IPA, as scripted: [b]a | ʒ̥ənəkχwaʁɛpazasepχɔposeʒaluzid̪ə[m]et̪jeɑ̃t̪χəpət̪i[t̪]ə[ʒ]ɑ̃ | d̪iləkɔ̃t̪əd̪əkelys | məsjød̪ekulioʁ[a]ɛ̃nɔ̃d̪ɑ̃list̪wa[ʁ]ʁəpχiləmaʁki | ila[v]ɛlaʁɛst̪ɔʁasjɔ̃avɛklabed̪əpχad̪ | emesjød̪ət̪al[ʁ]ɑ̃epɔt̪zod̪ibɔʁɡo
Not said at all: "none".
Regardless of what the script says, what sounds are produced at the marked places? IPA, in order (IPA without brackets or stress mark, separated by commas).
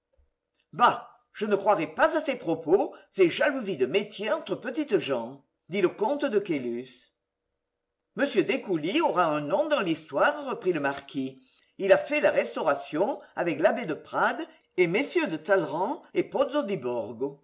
b, m, t̪, ʒ, a, ʁ, f, ʁ